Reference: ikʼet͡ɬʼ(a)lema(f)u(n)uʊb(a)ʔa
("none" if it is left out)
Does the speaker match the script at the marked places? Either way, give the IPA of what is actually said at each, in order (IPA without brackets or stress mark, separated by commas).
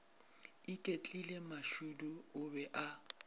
i, ʃ, d, ɛ